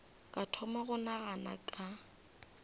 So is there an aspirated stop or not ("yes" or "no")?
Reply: yes